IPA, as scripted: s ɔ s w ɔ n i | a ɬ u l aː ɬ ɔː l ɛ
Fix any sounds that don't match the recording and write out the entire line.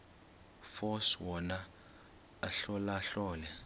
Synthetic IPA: f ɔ s w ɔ n a | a ɬ ɔ l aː ɬ ɔː l ɛ